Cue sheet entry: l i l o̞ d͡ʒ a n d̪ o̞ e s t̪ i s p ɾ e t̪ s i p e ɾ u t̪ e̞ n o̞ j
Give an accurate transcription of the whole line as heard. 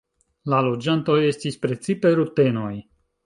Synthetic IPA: l a l o̞ d͡ʒ a n t̪ o̞ e s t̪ i s p ɾ e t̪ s i p e ɾ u t̪ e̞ n o̞ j